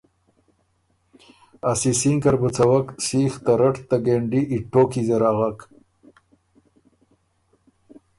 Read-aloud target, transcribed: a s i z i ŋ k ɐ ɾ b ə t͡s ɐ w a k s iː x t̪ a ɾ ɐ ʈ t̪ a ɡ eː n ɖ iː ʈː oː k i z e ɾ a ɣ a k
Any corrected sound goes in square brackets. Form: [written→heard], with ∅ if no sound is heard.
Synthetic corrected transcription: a s i [z→s] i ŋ k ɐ ɾ b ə t͡s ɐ w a k s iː x t̪ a ɾ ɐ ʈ t̪ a ɡ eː [n→ɳ] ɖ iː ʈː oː k i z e ɾ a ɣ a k